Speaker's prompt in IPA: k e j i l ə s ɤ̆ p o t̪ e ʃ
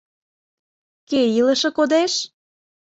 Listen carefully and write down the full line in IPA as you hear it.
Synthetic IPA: k e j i l ə ʃ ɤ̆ k o d̪ e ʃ

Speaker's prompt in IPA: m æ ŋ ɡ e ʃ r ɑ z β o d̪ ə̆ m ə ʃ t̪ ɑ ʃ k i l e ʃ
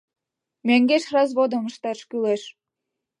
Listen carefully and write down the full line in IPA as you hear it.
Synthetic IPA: m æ ŋ ɡ e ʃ r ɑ z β o d̪ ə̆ m ə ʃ t̪ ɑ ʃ k y l e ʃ

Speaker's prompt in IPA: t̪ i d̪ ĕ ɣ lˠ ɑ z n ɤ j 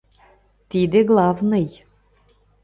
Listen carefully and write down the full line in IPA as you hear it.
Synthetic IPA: t̪ i d̪ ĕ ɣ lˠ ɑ v n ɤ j

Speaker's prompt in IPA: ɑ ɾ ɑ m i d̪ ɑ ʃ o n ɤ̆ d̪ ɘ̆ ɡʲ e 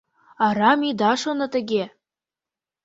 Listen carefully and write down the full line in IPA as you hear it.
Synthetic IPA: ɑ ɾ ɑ m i d̪ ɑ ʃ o n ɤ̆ t̪ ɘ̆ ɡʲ e

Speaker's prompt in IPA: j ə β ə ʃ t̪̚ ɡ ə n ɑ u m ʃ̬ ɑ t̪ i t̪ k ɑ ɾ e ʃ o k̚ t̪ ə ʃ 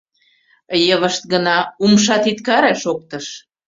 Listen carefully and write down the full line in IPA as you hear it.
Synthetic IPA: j ə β ə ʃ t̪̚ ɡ ə n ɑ u m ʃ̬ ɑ t̪ i t̪ k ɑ ɾ e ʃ o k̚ t̪ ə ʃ

